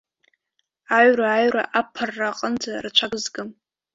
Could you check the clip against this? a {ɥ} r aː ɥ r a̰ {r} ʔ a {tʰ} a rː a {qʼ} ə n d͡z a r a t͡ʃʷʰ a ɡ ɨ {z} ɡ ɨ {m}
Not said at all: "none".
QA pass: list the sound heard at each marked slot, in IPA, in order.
ɥ, none, pʰ, qʼ, z, m

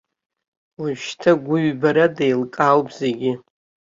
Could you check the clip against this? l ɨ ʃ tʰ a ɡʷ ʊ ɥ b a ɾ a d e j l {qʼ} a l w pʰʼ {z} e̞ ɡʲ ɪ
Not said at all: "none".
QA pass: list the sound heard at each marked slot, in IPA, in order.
kʼ, z

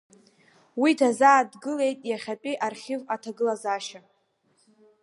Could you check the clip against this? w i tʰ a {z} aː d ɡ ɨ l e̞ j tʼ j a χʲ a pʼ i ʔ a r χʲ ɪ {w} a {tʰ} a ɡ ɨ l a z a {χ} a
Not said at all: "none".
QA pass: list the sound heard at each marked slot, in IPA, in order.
z, v, tʰ, ʃ

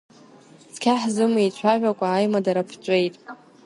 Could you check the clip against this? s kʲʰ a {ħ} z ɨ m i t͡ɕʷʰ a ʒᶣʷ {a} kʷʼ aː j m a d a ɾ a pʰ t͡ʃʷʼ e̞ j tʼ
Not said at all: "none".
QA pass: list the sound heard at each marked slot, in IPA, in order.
ħ, a

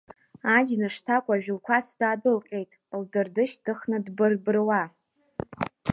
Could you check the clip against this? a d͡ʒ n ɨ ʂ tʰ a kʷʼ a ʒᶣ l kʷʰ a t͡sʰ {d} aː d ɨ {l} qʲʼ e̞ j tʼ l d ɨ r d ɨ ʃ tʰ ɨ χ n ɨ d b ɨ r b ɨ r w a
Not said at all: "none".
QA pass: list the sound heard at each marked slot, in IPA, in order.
d, l

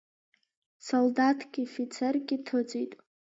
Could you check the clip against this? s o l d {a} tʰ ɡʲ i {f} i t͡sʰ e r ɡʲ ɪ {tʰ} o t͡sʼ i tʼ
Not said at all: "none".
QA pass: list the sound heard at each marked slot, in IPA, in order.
a, f, tʰ

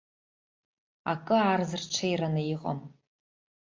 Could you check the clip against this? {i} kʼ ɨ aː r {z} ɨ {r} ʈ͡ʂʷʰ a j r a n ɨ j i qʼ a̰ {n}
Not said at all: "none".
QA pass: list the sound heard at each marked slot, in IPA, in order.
a, z, r, m

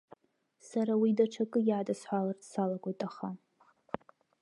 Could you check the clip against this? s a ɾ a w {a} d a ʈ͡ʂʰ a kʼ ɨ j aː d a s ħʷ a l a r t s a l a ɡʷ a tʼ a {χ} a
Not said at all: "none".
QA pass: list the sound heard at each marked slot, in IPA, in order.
i, χ

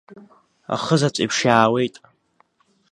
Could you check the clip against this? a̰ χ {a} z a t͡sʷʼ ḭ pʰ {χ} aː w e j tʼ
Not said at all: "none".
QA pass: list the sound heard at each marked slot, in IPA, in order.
ə, ʂ

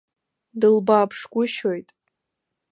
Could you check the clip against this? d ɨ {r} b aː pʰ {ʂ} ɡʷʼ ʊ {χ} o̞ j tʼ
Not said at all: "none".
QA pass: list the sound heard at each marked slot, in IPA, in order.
l, ʂ, ʃ

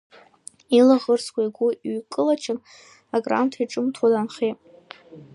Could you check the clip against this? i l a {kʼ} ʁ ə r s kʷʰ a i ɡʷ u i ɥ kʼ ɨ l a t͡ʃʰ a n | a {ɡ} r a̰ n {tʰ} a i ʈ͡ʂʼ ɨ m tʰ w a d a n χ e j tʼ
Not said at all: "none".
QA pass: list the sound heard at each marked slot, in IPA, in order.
none, ɡ, tʰ

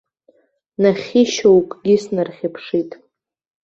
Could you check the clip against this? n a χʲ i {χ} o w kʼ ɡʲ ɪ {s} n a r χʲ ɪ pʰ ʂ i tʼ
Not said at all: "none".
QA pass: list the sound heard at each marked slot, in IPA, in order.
ʃ, s

